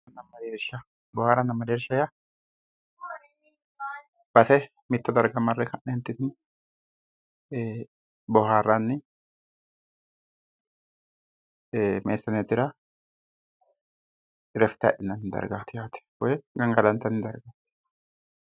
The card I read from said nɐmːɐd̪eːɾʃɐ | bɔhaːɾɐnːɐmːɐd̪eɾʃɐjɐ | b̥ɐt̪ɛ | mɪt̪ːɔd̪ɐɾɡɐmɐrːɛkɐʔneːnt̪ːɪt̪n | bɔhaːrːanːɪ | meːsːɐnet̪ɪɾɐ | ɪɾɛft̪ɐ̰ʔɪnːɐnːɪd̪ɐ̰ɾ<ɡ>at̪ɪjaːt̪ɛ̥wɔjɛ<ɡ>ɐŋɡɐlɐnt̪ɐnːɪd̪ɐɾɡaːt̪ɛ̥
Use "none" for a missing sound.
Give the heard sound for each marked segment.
ɡ, ɡ

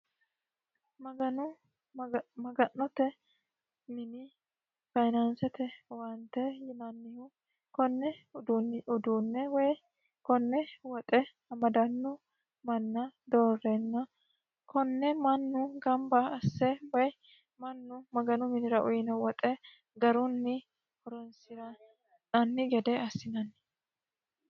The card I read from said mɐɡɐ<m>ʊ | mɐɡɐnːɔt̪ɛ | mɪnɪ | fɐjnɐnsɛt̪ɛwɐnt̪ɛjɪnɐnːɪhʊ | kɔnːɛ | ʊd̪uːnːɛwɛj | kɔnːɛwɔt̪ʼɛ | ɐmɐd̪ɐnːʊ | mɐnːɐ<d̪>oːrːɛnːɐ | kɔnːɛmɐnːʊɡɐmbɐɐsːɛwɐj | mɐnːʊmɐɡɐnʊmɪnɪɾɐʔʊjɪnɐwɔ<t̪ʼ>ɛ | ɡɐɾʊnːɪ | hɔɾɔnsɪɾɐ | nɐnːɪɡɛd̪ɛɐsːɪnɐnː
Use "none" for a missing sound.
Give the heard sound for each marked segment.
n, d̪, t̪ʼ

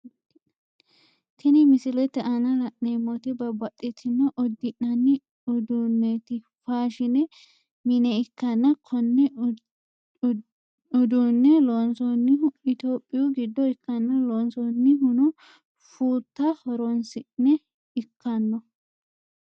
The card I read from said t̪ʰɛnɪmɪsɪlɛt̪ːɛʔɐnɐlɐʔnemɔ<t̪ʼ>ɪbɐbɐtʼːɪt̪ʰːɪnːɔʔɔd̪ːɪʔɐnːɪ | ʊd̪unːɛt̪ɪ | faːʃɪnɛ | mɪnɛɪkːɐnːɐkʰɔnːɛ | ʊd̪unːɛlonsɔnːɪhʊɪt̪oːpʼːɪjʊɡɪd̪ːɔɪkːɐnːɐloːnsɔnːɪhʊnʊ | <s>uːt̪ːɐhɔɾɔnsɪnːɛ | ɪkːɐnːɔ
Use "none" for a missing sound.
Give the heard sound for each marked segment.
t̪, f

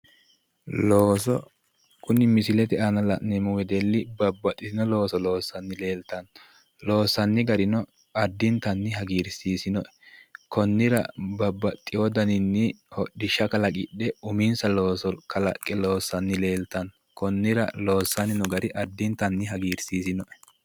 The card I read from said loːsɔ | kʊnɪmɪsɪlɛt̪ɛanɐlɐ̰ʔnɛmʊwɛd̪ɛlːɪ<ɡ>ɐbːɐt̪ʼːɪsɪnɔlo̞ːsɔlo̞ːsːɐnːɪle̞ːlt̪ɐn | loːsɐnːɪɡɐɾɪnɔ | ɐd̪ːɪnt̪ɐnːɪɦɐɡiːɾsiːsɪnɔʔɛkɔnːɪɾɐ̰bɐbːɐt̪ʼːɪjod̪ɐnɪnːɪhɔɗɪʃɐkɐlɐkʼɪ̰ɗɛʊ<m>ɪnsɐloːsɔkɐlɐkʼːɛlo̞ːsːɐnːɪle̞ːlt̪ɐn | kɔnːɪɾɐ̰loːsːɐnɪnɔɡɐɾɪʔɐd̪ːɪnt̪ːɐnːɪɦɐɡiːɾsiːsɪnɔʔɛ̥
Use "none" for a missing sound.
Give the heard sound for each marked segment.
b, m

